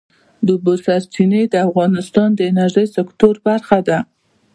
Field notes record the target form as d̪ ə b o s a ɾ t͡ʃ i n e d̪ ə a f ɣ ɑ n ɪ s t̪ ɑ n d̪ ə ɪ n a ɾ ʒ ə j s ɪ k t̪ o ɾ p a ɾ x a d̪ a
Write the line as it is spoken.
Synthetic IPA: d̪ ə b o s a ɾ t͡ʃ i n e d̪ ə a f ɣ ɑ n ɪ s t̪ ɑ n d̪ ə ɪ n a ɾ ʒ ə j s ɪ k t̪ o ɾ b a ɾ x a d̪ a